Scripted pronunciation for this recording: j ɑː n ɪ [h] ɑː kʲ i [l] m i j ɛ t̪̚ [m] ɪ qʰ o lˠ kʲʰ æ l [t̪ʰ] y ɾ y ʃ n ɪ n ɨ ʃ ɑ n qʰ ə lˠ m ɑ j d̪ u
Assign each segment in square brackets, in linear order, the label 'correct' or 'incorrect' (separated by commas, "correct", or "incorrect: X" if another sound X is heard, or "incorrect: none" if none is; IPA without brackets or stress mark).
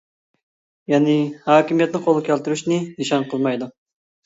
correct, incorrect: none, incorrect: n, incorrect: t̪